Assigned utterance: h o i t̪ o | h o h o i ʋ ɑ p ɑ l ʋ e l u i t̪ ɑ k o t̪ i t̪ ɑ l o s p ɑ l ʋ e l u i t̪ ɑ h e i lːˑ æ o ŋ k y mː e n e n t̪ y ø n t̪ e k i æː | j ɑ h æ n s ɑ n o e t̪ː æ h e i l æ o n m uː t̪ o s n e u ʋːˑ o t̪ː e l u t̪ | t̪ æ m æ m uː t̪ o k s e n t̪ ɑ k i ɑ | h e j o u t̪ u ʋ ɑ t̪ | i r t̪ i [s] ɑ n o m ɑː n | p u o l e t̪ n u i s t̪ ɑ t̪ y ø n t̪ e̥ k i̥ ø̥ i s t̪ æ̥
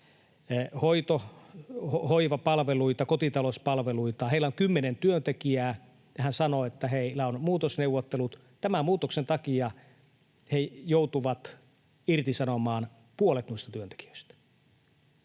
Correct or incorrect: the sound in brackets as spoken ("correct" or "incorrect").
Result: correct